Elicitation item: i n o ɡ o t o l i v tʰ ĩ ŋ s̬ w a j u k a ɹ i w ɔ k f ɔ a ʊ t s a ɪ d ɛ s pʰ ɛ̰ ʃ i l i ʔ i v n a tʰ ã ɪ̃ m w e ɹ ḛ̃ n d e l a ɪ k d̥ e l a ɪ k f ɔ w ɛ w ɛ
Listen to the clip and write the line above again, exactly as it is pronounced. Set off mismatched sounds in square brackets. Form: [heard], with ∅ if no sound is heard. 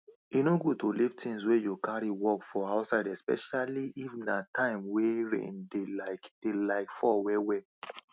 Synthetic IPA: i n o ɡ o t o l i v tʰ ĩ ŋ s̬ w [e] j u k a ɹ i w ɔ k f ɔ a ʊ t s a ɪ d ɛ s [p] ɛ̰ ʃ [a] l i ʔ i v n a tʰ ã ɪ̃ m w e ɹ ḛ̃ n d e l a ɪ k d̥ e l a ɪ k f ɔ w ɛ w ɛ